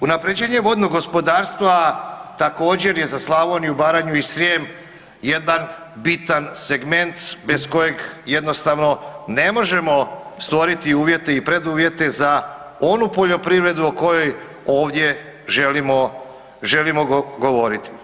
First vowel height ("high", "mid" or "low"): high